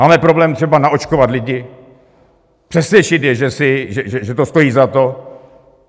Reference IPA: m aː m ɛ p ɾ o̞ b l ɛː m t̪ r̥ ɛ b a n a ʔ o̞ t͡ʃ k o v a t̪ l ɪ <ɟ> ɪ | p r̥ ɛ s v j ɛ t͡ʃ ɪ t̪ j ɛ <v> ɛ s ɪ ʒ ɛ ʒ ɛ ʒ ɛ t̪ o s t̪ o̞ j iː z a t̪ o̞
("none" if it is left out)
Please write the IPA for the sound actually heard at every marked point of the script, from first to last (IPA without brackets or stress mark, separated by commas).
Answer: ɟ, ʒ